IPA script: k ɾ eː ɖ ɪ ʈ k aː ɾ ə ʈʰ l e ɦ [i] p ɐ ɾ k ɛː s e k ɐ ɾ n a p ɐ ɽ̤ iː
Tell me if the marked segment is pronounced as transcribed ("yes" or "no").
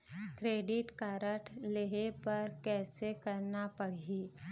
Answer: no